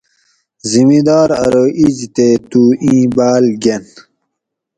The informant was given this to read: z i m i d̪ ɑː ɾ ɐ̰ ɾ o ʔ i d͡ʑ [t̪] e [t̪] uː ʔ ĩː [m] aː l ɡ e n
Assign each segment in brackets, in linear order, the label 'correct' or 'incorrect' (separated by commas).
correct, correct, incorrect